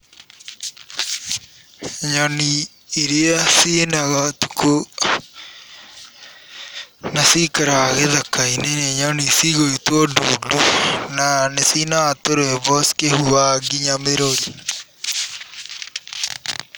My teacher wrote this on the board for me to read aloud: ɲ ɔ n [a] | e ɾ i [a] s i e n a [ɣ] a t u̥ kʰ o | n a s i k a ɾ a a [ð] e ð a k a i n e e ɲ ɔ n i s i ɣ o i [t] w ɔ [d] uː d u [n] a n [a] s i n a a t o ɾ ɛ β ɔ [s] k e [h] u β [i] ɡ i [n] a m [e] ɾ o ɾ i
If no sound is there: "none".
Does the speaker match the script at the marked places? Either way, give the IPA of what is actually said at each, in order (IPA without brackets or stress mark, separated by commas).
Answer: i, a, ɣ, ɣ, t, d, n, e, s, h, a, ɲ, e